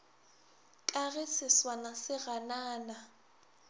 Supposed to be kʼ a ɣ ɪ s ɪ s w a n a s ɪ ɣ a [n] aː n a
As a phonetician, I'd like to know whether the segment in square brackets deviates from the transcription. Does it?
no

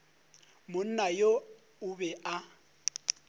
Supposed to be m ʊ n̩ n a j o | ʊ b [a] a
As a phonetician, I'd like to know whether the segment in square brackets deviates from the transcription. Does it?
yes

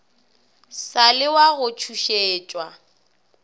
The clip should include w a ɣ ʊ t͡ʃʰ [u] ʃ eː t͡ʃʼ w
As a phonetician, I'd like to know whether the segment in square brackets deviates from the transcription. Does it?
no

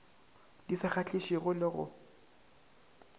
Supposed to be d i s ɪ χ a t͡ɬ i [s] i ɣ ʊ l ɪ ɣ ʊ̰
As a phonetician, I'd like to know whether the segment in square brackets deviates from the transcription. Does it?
yes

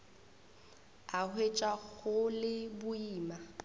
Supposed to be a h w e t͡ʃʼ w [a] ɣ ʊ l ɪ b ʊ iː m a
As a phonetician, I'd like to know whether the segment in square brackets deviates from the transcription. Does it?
no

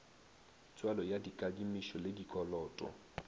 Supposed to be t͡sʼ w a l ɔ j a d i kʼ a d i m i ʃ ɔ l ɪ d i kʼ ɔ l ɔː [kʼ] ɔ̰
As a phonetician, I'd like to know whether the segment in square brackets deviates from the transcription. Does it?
yes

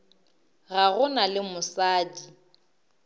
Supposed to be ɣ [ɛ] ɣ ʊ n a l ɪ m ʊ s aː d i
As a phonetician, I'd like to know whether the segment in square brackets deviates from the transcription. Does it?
yes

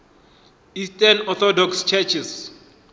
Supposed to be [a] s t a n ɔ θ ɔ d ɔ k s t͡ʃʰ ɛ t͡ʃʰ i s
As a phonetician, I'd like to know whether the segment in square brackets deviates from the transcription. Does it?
yes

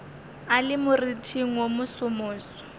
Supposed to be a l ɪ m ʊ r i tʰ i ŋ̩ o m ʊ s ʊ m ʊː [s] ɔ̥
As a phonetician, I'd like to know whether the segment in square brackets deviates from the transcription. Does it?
no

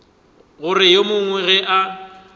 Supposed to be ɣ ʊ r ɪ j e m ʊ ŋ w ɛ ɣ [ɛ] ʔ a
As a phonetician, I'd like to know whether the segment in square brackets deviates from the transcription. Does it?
no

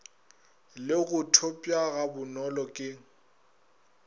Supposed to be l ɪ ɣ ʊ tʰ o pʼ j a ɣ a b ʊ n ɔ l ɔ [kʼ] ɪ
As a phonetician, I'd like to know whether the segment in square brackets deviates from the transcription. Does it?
no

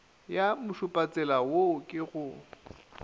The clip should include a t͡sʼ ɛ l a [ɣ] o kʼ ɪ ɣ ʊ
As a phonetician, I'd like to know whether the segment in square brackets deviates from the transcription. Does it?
yes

